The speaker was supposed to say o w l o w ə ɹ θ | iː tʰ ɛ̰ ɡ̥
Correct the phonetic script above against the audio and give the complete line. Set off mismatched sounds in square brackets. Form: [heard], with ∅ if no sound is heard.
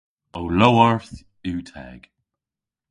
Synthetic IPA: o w l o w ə ɹ θ | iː tʰ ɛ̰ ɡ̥